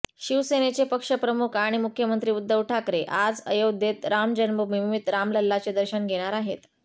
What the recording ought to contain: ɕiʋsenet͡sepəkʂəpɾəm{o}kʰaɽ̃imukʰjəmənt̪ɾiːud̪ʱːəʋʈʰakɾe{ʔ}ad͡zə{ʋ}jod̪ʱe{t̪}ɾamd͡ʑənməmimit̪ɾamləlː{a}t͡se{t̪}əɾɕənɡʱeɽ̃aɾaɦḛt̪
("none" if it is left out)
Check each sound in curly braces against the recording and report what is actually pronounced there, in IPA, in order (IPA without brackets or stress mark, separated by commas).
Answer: u, ʔ, none, t̪, a, d̪